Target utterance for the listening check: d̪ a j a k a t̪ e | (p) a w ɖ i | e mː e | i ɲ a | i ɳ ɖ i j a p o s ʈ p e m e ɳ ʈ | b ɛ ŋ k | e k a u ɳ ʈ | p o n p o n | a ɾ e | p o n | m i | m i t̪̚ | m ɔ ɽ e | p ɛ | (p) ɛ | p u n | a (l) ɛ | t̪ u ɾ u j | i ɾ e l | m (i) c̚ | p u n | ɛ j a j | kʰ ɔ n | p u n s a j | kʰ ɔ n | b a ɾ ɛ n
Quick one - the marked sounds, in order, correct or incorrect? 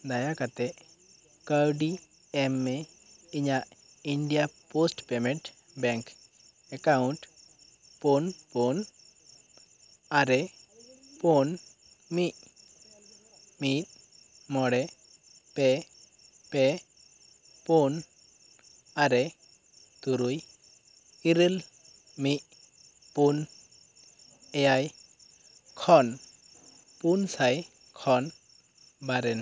incorrect, correct, incorrect, correct

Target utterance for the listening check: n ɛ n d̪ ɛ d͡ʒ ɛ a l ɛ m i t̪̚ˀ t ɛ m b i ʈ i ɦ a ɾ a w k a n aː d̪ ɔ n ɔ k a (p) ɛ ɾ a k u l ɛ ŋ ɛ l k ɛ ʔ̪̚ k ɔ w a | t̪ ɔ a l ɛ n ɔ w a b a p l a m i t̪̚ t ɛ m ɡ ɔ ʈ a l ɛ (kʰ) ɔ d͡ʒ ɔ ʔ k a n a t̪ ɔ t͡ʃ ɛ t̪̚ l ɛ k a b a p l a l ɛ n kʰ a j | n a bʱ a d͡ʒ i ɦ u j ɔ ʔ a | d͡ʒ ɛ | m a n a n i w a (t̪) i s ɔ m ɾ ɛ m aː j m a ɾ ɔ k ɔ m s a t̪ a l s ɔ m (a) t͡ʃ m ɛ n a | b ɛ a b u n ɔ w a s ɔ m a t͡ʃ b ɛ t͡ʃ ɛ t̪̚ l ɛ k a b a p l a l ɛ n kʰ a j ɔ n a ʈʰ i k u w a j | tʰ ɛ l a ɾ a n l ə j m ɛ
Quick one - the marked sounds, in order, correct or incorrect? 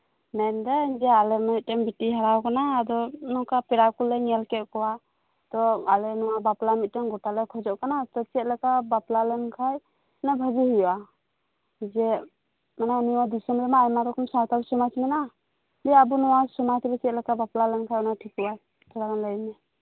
correct, correct, incorrect, correct

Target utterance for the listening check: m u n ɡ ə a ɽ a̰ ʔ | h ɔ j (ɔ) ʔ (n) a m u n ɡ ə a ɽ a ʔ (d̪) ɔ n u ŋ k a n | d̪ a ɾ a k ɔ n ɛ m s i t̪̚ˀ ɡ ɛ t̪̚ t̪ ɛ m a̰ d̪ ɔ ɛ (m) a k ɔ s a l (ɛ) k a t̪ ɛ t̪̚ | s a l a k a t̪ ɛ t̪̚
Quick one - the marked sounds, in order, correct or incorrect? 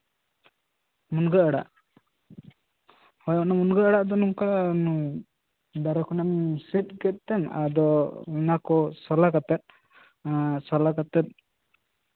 correct, correct, correct, incorrect, incorrect

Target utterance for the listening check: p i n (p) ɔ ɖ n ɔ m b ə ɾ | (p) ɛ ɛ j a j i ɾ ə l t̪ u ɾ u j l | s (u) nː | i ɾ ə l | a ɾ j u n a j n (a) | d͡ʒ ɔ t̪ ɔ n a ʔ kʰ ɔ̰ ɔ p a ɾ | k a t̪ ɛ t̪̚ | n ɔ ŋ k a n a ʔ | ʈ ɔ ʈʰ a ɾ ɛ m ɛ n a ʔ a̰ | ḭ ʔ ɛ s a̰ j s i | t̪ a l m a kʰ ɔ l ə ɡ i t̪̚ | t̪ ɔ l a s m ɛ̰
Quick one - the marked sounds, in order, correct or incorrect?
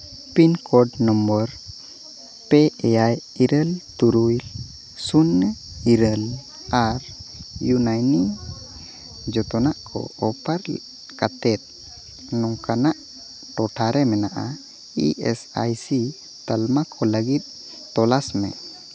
incorrect, correct, correct, incorrect

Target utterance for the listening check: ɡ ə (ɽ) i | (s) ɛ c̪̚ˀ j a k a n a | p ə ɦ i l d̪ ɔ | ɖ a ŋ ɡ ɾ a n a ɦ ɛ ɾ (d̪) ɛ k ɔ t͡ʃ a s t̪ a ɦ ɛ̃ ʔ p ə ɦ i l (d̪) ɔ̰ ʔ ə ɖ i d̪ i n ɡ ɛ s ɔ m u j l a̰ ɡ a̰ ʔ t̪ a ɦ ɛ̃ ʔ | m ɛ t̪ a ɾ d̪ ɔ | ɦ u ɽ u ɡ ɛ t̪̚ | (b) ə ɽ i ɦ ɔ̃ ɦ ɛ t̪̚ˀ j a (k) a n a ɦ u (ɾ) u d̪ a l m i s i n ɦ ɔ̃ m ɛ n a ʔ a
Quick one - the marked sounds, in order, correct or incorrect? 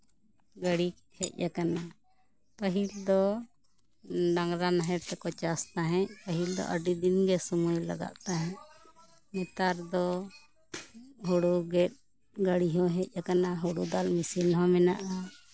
correct, incorrect, incorrect, correct, incorrect, correct, incorrect

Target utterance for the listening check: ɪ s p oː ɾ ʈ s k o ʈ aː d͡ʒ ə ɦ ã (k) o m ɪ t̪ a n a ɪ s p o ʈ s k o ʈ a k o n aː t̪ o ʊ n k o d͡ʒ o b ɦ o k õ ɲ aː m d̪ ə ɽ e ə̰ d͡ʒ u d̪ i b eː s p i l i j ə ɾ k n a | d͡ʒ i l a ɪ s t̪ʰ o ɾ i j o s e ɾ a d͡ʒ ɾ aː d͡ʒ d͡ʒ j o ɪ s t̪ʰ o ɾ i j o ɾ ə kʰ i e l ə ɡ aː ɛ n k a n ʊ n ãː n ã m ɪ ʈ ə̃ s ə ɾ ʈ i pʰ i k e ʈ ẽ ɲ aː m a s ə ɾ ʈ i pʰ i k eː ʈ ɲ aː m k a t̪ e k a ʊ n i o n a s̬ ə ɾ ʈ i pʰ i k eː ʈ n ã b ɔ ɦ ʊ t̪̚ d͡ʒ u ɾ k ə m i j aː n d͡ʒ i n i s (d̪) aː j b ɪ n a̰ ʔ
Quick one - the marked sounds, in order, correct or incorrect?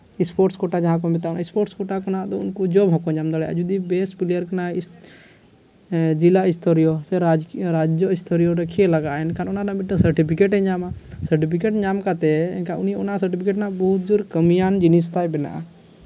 correct, incorrect

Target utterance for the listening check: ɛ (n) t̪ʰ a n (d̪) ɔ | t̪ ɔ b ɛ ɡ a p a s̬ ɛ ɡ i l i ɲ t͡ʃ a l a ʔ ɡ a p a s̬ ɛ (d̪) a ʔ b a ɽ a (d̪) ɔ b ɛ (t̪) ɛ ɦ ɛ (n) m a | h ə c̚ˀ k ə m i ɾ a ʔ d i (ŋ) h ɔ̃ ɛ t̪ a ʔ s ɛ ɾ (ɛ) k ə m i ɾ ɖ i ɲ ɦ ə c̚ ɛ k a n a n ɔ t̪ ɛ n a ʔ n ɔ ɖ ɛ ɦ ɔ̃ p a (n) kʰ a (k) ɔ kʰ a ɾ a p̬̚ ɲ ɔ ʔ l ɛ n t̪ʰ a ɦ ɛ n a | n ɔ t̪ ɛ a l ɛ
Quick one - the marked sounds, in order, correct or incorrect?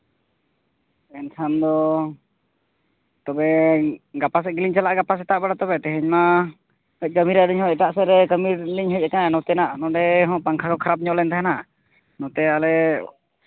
correct, correct, incorrect, incorrect, correct, incorrect, incorrect, correct, incorrect, correct

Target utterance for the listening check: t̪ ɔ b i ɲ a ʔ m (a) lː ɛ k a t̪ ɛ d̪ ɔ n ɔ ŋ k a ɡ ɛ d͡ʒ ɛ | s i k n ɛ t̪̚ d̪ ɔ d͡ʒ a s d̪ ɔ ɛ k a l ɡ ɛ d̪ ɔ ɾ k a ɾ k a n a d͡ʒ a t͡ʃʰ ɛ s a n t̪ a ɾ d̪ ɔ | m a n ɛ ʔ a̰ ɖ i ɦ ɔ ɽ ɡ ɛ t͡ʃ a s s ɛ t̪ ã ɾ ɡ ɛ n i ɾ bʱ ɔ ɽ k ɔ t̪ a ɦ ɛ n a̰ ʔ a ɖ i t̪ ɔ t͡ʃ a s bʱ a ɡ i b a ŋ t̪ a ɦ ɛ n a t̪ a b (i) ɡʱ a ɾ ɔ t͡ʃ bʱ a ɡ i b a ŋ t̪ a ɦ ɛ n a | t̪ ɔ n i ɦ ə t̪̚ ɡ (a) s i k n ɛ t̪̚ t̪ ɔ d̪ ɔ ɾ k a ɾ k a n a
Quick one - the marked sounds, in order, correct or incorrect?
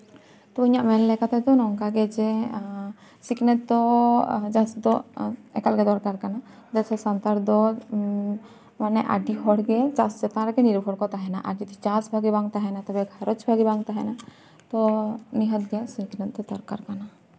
incorrect, incorrect, incorrect

